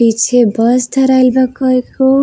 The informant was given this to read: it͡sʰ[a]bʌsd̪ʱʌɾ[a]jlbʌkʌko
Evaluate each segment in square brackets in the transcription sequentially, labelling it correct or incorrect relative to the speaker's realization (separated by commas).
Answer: incorrect, correct